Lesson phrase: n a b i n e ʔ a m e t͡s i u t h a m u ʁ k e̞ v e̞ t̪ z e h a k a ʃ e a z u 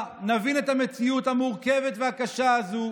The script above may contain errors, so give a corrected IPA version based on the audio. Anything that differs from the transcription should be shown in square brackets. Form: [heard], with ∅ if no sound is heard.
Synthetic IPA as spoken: n a [v] i n e [t] a m e t͡s i u t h a m u ʁ k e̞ v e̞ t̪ [v] e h a k a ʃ [a] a z u